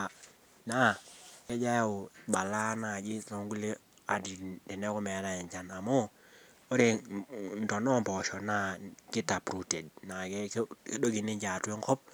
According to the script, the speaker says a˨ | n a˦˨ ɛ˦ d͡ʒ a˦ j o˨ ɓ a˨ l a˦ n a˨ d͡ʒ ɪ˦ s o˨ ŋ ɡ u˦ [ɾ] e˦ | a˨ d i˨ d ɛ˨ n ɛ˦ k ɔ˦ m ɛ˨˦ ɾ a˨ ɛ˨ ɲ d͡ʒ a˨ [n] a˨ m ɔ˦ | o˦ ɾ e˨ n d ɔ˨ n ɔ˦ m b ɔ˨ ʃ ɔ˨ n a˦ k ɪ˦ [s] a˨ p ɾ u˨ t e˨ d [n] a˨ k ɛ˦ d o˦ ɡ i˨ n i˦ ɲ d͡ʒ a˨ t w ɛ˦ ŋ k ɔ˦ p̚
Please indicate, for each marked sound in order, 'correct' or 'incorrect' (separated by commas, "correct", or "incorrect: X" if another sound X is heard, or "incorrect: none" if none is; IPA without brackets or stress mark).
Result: incorrect: l, correct, incorrect: t, correct